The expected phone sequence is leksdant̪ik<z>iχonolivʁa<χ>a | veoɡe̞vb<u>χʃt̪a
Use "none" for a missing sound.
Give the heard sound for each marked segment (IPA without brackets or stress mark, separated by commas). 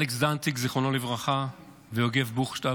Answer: z, χ, u